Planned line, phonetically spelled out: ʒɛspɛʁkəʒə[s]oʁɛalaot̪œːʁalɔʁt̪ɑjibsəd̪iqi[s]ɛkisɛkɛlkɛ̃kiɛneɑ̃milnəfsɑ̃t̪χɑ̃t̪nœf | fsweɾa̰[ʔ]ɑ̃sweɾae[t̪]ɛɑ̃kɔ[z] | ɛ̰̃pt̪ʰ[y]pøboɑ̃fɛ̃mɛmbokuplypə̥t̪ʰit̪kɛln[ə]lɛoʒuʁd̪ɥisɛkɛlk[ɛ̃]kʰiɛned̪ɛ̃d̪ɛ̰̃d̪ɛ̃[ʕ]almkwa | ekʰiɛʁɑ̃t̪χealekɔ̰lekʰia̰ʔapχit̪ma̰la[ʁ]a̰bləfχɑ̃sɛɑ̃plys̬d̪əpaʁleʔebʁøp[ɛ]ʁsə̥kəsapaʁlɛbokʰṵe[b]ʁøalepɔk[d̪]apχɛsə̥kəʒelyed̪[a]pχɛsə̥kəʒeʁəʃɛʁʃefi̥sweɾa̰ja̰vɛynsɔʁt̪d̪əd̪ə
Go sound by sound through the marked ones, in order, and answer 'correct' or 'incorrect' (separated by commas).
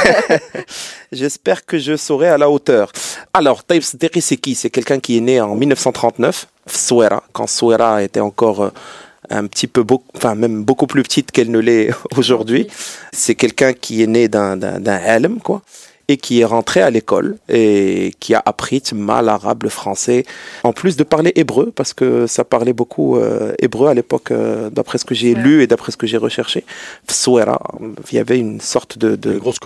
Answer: correct, correct, incorrect, correct, incorrect, incorrect, correct, correct, correct, correct, incorrect, correct, correct, correct